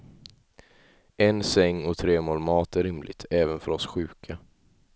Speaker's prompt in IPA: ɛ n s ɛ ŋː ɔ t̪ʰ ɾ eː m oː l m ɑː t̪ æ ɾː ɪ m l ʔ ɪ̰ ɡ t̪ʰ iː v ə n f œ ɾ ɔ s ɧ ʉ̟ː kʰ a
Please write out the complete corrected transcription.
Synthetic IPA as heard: ɛ n s ɛ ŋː ɔ t̪ʰ ɾ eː m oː l m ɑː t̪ æ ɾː ɪ m l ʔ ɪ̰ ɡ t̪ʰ ɛː v ə n f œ ɾ ɔ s ɧ ʉ̟ː kʰ a